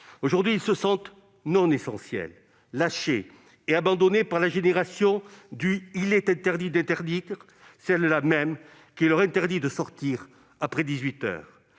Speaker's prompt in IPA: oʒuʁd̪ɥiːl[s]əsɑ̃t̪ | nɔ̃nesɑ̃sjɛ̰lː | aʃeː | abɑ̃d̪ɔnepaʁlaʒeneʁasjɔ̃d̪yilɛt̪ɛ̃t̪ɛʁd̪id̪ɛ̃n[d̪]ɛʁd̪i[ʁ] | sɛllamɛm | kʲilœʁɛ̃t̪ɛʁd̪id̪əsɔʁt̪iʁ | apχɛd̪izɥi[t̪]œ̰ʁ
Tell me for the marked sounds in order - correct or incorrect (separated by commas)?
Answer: correct, incorrect, correct, correct